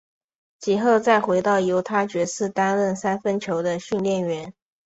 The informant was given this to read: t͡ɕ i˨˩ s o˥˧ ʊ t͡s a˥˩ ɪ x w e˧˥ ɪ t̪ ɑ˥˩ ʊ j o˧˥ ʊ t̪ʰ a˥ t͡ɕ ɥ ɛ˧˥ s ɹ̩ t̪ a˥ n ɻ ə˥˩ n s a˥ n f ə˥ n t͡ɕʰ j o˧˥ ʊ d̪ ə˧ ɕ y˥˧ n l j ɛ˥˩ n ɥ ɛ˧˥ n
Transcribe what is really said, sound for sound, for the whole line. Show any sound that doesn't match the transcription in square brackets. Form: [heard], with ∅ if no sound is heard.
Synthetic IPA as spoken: t͡ɕ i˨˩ [x] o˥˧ ʊ t͡s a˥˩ ɪ x w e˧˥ ɪ t̪ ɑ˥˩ ʊ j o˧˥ ʊ t̪ʰ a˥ t͡ɕ ɥ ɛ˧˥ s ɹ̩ t̪ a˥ n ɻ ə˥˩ n s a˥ n f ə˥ n t͡ɕʰ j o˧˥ ʊ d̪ ə˧ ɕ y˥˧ n l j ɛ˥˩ n ɥ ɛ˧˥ n